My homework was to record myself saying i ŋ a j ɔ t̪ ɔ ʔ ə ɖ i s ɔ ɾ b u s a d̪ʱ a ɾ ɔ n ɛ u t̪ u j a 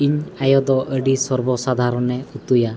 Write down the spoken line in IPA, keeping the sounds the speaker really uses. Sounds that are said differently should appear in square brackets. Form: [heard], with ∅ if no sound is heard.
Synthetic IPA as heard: i [ɲ] a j ɔ [d̪] ɔ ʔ ə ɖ i s ɔ ɾ b [ɔ] s a d̪ʱ a ɾ ɔ n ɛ u t̪ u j a